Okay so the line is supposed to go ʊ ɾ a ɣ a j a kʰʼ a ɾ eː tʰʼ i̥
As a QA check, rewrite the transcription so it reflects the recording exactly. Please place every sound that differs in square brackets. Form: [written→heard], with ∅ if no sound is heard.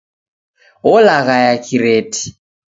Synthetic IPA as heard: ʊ [ɾ→l] a ɣ a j a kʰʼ [a→i] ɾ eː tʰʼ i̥